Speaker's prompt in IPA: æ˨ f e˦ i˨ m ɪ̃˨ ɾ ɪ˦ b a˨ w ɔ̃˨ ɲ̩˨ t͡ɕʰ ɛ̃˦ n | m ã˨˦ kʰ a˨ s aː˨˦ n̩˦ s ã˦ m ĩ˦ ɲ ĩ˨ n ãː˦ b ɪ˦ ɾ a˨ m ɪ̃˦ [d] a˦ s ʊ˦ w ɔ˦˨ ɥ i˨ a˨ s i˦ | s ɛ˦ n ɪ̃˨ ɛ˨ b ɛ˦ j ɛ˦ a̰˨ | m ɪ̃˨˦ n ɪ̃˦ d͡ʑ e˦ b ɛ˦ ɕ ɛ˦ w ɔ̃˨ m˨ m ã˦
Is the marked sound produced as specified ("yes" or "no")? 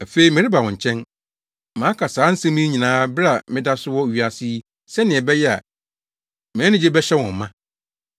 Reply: yes